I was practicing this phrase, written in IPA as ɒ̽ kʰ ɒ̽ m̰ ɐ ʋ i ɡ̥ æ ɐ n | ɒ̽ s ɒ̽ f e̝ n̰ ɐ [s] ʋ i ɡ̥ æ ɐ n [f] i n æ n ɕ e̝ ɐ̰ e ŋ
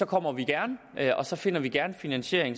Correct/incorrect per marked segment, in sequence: incorrect: none, correct

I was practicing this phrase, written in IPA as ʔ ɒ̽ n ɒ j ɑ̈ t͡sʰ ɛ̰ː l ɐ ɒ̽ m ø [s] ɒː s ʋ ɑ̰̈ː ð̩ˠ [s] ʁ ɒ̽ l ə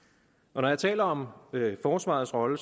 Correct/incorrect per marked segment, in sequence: incorrect: f, correct

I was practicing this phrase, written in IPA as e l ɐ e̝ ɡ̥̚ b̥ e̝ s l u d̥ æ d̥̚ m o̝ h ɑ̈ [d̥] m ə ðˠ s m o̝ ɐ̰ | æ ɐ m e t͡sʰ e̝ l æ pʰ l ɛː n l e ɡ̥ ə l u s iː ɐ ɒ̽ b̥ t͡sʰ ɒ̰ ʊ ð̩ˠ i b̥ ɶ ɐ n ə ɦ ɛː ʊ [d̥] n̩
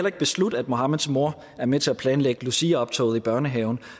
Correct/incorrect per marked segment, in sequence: incorrect: none, incorrect: none

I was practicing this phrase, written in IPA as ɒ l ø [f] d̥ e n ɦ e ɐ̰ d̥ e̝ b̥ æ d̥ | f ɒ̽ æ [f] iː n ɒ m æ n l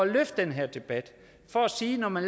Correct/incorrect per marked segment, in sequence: correct, incorrect: s

